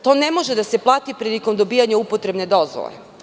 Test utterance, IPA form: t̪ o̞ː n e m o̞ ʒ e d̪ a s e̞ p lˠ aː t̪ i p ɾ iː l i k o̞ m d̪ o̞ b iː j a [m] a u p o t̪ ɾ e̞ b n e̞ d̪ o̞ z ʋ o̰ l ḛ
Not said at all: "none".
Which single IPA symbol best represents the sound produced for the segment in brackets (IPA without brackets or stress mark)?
ɲ